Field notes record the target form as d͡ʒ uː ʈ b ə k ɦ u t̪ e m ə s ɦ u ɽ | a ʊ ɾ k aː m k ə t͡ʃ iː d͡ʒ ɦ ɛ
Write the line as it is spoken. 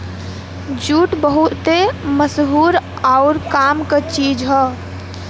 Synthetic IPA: d͡ʒ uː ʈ b ə ɦ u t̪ e m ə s ɦ u ɾ | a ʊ ɾ k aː m k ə t͡ʃ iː d͡ʒ ɦ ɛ

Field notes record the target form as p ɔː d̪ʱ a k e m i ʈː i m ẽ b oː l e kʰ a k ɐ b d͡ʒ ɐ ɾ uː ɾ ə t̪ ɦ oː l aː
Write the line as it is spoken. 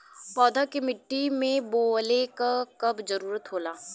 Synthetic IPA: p ɔː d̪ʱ a k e m ɪ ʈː i m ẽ b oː l e k a k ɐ b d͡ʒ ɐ ɾ uː ɾ ə t̪ ɦ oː l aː

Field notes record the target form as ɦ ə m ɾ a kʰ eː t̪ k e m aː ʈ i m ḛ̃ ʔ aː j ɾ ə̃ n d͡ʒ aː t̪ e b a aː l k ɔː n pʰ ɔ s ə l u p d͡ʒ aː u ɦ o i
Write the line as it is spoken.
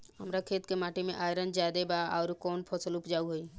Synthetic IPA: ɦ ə m ɾ a kʰ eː t̪ k e m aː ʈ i m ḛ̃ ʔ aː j ɾ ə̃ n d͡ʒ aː d̪ e b a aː ɾ k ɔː n pʰ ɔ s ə l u p d͡ʒ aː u ɦ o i

